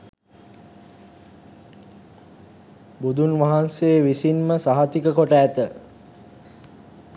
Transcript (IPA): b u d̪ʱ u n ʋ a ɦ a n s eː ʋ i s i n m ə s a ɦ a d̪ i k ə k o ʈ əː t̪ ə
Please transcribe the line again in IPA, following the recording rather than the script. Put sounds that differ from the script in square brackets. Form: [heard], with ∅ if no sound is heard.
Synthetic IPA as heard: b u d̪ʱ u n ʋ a ɦ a n s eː ʋ i s i n m ə s a ɦ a [t̪] i k ə k o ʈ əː t̪ ə